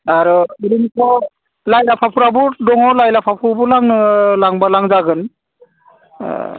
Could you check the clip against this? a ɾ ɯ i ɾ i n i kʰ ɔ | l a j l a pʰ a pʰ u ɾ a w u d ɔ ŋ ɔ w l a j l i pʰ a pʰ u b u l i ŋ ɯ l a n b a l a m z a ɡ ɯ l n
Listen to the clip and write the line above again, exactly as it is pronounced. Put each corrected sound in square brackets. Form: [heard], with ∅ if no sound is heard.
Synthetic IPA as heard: a ɾ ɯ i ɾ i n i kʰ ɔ | l a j l a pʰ a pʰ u ɾ a [b] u d ɔ ŋ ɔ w l a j l [a] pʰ a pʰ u b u l [a] ŋ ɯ l a [ŋ] b a l a [ŋ] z a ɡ ɯ [∅] n